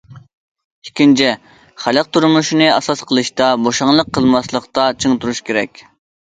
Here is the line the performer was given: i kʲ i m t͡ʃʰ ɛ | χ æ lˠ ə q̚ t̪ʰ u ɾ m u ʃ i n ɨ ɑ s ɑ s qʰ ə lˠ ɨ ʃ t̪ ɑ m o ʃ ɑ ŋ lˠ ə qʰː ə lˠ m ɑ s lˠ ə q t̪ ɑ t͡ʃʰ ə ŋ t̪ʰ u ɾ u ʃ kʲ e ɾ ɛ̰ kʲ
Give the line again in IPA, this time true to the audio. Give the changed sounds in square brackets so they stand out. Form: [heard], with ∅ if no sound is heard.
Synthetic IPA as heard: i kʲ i [n] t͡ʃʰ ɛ | χ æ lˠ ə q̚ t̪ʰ u ɾ m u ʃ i n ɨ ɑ s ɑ s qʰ ə lˠ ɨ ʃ t̪ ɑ [b] o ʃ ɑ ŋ lˠ ə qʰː ə lˠ m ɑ s lˠ ə q t̪ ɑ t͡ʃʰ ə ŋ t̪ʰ u ɾ u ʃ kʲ e ɾ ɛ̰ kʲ